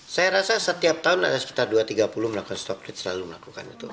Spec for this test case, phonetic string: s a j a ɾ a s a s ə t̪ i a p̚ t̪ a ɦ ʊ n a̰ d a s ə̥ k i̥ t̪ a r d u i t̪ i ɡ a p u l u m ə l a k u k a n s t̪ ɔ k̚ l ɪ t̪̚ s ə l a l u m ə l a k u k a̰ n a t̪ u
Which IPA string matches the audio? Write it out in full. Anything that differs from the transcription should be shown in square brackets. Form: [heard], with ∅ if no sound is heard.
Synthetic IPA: s a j a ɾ a s a s ə t̪ i a p̚ t̪ a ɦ ʊ n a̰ d a s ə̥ k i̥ t̪ a r d u [a] t̪ i ɡ a p u l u m ə l a k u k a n s t̪ ɔ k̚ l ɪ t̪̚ s ə l a l u m ə l a k u k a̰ n [i] t̪ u